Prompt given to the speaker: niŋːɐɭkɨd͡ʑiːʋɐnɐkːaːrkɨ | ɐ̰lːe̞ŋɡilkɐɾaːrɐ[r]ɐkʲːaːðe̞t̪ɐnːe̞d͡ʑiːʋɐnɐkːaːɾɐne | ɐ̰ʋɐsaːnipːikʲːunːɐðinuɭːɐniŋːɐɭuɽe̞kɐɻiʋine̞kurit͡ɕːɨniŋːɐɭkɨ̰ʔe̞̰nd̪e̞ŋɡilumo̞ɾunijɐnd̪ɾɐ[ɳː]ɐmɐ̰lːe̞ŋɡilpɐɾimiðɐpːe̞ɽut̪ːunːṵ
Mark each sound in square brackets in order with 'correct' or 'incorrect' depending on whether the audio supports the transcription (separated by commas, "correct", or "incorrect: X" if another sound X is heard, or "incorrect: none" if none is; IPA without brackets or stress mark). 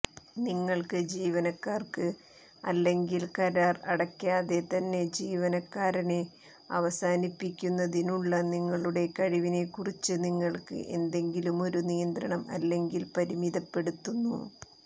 incorrect: ɽ, incorrect: ɳ